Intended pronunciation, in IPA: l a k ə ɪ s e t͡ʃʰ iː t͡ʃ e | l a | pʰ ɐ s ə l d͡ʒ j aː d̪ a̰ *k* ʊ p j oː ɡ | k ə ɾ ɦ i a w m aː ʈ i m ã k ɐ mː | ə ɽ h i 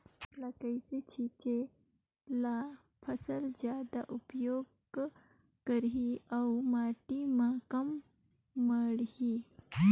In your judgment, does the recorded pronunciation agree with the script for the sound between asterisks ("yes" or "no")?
no